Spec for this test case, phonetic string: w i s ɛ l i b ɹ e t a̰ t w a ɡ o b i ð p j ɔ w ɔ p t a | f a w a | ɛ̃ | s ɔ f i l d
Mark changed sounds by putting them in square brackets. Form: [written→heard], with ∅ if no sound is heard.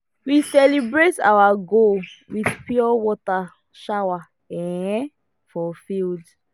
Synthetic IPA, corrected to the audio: w i s ɛ l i b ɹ e t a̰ [t→∅] w a ɡ o [b→w] i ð p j ɔ w ɔ [p→∅] t a | [f→ʃ] a w a | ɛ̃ | [s→f] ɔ f i l d